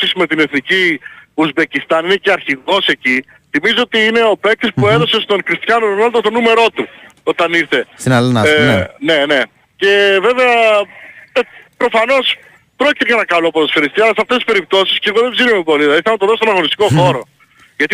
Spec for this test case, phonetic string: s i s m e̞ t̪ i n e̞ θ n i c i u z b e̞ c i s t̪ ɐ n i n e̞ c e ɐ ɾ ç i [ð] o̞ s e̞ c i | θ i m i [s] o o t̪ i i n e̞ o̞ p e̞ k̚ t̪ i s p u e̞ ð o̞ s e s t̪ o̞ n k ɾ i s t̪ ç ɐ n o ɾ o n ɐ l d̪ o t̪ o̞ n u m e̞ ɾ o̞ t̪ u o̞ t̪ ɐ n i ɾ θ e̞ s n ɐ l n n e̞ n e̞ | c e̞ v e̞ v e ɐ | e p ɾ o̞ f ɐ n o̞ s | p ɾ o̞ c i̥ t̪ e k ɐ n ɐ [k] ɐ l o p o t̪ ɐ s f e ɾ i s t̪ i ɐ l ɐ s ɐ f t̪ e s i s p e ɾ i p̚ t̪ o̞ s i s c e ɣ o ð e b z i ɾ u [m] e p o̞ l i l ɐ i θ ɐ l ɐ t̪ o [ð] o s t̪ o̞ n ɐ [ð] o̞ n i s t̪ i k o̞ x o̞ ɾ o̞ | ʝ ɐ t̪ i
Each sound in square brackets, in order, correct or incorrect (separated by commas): incorrect, incorrect, correct, correct, correct, incorrect